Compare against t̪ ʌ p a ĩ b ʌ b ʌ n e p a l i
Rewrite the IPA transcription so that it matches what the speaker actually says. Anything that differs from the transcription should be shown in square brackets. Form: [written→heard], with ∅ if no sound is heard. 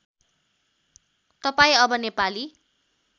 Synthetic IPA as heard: t̪ ʌ p a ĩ [b→∅] ʌ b ʌ n e p a l i

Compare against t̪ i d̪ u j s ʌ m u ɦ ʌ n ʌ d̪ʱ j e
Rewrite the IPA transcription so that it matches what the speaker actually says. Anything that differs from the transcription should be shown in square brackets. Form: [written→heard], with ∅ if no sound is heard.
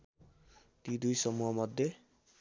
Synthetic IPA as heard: t̪ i d̪ u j s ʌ m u ɦ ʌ [n→m] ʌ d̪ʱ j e

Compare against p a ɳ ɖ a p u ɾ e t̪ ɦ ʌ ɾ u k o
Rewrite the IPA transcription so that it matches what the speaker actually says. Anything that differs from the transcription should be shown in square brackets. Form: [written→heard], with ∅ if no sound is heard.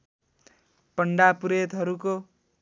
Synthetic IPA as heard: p [a→ʌ] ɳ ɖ a p u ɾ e t̪ ɦ ʌ ɾ u k o

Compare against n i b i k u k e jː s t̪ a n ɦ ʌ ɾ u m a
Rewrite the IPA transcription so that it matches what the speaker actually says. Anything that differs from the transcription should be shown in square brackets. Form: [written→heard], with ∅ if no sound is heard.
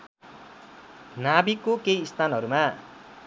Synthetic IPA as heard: n [i→a] b i k [u→o] k e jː s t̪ a n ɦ ʌ ɾ u m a

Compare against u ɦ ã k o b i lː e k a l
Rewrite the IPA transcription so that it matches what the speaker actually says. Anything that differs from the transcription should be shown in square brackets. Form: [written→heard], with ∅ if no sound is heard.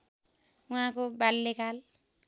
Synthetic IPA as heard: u ɦ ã k o b [i→a] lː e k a l

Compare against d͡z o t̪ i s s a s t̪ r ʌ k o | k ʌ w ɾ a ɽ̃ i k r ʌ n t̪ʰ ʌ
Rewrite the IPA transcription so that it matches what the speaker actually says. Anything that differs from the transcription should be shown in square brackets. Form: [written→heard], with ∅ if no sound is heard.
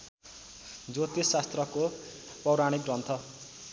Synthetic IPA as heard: d͡z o t̪ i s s a s t̪ r ʌ k o | [k→p] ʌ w ɾ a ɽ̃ i k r ʌ n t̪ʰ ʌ

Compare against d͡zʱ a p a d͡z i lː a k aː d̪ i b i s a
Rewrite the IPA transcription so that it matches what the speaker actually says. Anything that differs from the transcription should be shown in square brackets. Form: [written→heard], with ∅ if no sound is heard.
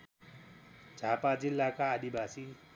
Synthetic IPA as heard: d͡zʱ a p a d͡z i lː a k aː d̪ i b [i→a] s [a→i]

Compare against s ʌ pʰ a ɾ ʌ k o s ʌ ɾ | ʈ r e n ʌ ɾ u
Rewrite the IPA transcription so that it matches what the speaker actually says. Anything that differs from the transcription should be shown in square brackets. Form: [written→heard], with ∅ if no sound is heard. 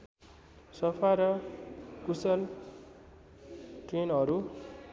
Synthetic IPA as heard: s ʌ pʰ a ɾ ʌ k [o→u] s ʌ [ɾ→l] | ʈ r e n ʌ ɾ u

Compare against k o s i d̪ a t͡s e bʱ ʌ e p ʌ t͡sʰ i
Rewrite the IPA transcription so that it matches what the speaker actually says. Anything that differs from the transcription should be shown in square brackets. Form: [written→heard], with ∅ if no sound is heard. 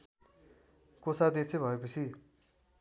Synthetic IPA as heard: k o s [i→a] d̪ [a→e] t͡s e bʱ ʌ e p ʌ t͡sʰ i

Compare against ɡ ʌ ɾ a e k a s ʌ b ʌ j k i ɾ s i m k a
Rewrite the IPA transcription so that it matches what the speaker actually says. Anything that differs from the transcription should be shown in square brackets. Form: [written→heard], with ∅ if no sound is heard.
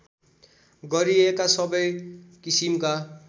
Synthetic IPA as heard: ɡ ʌ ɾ [a→i] e k a s ʌ b ʌ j k i [ɾ→∅] s i m k a

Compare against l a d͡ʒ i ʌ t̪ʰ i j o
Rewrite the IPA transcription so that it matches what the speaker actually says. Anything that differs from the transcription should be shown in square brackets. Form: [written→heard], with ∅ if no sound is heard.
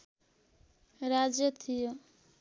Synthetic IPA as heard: [l→ɾ] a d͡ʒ [i→j] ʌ t̪ʰ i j o

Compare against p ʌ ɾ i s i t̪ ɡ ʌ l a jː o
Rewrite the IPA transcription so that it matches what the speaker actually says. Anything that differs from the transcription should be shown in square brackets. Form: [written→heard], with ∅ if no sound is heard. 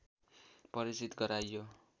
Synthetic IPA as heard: p ʌ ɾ i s i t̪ ɡ ʌ [l→ɾ] a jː o

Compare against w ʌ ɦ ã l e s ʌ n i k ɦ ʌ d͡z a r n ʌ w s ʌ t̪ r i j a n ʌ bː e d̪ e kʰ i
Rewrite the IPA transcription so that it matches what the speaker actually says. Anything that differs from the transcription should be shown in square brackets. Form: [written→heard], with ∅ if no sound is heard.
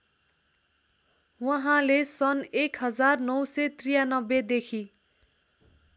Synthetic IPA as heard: w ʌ ɦ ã l e s ʌ n [i→e] k ɦ ʌ d͡z a r n ʌ w s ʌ t̪ r i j a n ʌ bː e d̪ e kʰ i

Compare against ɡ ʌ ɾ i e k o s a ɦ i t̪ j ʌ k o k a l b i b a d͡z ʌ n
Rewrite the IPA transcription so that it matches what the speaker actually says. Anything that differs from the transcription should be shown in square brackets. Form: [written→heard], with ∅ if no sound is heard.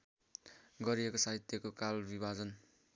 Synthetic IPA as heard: ɡ ʌ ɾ i e k o s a ɦ i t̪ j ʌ k o k a l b i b a d͡z ʌ n

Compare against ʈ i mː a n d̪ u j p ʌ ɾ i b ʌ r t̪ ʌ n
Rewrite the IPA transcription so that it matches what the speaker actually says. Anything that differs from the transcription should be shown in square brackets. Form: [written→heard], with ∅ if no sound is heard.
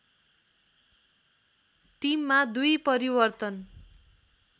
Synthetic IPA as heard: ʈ i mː a [n→∅] d̪ u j p ʌ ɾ i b ʌ r t̪ ʌ n

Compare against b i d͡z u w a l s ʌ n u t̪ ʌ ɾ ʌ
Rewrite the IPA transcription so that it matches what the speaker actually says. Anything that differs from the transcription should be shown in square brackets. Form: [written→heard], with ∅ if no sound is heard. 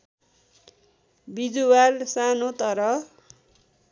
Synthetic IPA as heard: b i d͡z u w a l s [ʌ→a] n [u→o] t̪ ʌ ɾ ʌ

